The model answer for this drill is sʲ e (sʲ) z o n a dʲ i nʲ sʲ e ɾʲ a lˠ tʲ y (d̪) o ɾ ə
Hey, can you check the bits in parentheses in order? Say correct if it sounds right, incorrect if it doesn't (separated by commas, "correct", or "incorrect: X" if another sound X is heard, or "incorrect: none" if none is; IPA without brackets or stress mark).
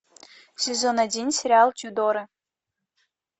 incorrect: none, correct